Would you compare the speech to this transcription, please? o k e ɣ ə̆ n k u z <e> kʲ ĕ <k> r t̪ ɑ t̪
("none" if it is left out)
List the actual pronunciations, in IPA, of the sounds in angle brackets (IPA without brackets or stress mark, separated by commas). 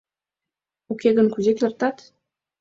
e, none